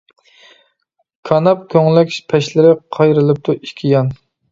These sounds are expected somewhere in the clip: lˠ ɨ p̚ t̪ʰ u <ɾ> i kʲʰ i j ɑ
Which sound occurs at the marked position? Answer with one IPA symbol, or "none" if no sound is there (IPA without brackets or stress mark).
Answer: none